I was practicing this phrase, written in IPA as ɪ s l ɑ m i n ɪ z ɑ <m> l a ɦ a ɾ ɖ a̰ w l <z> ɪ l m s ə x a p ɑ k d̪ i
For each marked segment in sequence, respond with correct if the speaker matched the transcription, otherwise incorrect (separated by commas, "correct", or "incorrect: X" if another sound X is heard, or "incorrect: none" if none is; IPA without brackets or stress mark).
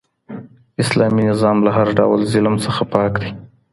correct, correct